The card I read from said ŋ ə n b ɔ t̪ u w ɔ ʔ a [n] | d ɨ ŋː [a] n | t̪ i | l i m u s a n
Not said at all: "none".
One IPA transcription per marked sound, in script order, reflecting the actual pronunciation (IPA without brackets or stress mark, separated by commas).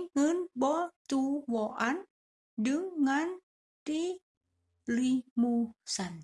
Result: n, a